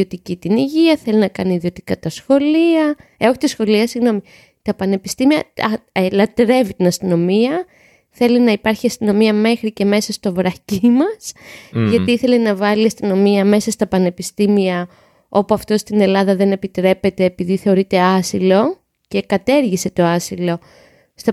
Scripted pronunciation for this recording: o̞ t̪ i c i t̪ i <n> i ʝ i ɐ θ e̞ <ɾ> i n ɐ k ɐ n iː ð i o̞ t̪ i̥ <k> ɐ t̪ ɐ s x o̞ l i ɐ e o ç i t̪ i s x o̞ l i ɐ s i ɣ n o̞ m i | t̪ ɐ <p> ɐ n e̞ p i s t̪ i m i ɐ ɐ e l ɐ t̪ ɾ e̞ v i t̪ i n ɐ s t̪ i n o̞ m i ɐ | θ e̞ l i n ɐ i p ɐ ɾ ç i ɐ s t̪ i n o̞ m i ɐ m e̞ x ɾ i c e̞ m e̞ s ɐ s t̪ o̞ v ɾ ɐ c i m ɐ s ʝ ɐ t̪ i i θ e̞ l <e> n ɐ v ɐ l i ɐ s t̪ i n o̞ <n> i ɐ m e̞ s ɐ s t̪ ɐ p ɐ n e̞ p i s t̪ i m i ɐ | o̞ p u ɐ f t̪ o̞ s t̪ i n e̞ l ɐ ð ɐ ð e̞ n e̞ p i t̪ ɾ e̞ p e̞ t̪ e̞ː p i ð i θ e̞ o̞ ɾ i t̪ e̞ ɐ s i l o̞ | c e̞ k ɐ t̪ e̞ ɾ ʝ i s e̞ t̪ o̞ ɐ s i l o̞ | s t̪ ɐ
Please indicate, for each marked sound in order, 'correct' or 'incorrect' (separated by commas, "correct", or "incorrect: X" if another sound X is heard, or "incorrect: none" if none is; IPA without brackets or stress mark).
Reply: correct, incorrect: l, correct, correct, correct, incorrect: m